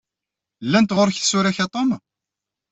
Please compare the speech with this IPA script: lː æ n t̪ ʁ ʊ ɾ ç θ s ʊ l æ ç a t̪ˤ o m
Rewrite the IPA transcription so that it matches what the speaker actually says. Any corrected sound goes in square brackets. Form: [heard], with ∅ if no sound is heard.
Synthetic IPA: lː æ n t̪ ʁ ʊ ɾ ç θ s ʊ [ɾ] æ ç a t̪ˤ o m